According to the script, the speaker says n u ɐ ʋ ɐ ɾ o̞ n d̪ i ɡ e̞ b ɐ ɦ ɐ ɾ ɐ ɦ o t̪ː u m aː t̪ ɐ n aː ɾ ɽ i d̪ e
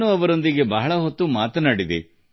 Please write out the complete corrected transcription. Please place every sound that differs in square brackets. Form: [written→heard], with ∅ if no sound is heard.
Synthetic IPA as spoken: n u ɐ ʋ ɐ ɾ o̞ n d̪ i ɡ e̞ b ɐ ɦ ɐ [ɾ→ɭ] ɐ ɦ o t̪ː u m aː t̪ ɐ n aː [ɾ→∅] ɽ i d̪ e

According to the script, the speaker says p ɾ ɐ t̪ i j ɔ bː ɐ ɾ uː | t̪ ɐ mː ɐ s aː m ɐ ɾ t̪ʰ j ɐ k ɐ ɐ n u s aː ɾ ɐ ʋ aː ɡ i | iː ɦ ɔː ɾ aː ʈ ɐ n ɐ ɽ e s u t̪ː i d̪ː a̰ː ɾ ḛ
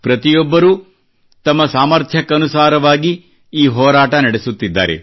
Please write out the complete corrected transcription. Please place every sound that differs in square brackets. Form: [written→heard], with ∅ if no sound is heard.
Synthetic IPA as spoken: p ɾ ɐ t̪ i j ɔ bː ɐ ɾ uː | t̪ ɐ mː ɐ s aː m ɐ ɾ t̪ʰ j ɐ k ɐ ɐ n u s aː ɾ ɐ ʋ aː ɡ i | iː ɦ ɔː ɾ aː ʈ ɐ n ɐ ɽ e s u t̪ː i d̪ː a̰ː ɾ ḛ

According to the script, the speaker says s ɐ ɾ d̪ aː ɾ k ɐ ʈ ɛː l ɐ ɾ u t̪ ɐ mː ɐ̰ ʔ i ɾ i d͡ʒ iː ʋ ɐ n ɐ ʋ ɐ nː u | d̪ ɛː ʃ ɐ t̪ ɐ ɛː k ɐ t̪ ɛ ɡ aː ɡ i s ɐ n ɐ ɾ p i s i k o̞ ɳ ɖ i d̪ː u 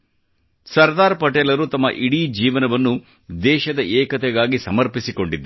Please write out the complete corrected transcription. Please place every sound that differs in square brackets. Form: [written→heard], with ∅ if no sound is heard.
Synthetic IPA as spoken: s ɐ ɾ d̪ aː ɾ [k→p] ɐ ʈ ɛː l ɐ ɾ u t̪ ɐ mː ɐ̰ ʔ i [ɾ→ɽ] i d͡ʒ iː ʋ ɐ n ɐ ʋ ɐ nː u | d̪ ɛː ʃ ɐ [t̪→d̪] ɐ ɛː k ɐ t̪ ɛ ɡ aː ɡ i s ɐ [n→m] ɐ ɾ p i s i k o̞ ɳ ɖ i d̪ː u

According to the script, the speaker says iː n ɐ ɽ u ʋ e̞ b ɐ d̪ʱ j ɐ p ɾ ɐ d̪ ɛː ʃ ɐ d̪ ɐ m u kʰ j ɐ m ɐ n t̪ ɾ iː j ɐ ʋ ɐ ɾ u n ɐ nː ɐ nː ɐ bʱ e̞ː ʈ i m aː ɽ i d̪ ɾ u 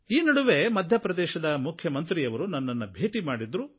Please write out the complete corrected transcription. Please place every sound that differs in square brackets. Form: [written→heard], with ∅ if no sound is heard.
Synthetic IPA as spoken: iː n ɐ ɽ u ʋ e̞ [b→m] ɐ d̪ʱ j ɐ p ɾ ɐ d̪ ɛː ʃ ɐ d̪ ɐ m u kʰ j ɐ m ɐ n t̪ ɾ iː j ɐ ʋ ɐ ɾ u n ɐ nː ɐ nː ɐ bʱ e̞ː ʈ i m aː ɽ i d̪ ɾ u

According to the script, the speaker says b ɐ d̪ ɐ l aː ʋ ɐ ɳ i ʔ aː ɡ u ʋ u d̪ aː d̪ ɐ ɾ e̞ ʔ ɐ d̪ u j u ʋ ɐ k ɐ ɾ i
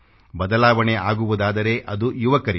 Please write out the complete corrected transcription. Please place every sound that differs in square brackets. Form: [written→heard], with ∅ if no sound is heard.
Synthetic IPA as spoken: b ɐ d̪ ɐ l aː ʋ ɐ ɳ [i→e] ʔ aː ɡ u ʋ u d̪ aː d̪ ɐ ɾ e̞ ʔ ɐ d̪ u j u ʋ ɐ k ɐ ɾ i

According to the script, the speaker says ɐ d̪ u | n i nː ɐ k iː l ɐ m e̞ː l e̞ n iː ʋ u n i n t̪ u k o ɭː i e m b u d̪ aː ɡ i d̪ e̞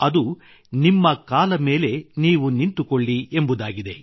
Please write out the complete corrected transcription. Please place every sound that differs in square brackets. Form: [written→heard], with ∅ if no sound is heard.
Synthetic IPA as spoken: ɐ d̪ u | n i [nː→mː] ɐ k [iː→aː] l ɐ m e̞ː l e̞ n iː ʋ u n i n t̪ u k o ɭː i e m b u d̪ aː ɡ i d̪ e̞

